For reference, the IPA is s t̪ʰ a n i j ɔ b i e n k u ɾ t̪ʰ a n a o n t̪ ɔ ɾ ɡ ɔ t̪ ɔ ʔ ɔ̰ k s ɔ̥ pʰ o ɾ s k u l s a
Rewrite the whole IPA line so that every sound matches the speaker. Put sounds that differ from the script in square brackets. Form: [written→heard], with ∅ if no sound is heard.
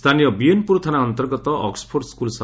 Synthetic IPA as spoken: s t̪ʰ a n i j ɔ b i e n [k→p] u ɾ t̪ʰ a n a [o→ɔ] n t̪ ɔ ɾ ɡ ɔ t̪ ɔ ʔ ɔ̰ k s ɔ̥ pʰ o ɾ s k u l s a